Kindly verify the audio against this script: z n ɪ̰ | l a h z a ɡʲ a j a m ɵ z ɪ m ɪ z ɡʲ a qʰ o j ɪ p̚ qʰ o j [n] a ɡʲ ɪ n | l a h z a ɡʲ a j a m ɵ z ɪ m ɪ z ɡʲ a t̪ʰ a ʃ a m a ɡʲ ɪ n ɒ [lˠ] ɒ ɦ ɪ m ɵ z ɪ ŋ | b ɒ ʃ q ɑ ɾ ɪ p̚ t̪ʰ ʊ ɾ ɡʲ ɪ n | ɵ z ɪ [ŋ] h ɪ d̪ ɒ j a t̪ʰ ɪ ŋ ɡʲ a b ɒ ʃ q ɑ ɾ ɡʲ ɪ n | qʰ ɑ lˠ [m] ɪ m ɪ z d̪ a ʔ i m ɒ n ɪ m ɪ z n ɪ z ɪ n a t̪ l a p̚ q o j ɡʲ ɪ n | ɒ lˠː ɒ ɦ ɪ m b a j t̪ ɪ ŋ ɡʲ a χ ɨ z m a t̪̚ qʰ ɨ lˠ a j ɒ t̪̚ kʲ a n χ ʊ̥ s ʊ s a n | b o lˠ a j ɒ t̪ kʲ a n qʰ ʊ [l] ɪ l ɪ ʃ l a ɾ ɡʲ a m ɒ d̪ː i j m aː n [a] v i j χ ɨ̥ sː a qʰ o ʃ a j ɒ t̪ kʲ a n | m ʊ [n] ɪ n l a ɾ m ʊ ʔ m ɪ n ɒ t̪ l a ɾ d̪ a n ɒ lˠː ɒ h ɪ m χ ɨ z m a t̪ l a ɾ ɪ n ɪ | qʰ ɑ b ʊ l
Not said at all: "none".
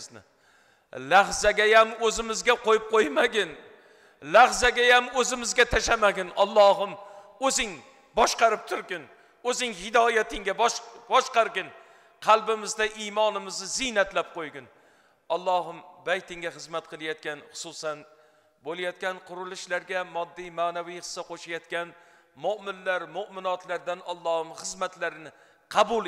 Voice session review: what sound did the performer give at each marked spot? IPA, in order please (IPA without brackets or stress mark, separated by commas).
m, lˠː, ŋ, b, ɾ, a, m